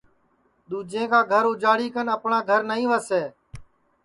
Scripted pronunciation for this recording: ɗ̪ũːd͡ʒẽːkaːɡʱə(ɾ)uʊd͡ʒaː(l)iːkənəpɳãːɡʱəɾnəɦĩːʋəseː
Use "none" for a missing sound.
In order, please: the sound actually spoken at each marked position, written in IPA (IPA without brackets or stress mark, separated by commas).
ɾ, ɽ